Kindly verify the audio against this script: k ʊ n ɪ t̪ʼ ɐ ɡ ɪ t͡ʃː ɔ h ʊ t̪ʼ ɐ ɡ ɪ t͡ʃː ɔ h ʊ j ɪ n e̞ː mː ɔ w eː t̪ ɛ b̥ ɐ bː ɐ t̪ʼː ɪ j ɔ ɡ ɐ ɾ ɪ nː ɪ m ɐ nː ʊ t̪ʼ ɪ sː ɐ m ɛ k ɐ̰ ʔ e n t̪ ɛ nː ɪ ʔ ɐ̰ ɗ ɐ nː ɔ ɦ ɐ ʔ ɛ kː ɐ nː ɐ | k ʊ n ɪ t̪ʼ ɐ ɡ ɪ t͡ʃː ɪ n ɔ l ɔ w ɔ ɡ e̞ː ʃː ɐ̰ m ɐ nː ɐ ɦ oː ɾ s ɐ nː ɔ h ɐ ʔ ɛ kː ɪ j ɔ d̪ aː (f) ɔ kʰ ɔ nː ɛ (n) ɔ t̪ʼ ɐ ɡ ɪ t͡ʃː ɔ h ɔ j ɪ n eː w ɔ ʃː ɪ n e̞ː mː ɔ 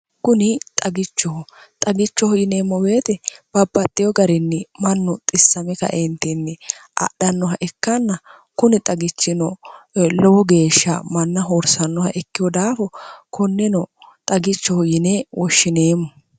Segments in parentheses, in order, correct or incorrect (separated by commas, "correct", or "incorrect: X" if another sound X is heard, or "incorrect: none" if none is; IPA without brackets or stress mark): correct, correct